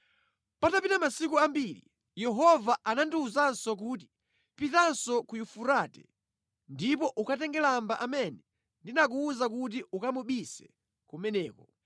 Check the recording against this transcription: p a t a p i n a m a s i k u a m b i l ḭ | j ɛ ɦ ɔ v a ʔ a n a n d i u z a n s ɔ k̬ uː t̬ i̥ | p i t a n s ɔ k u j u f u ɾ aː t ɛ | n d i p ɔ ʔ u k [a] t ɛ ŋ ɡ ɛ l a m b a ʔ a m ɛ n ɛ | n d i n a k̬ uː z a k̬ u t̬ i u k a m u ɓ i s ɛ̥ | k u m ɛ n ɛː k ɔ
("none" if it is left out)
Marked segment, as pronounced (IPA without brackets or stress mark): a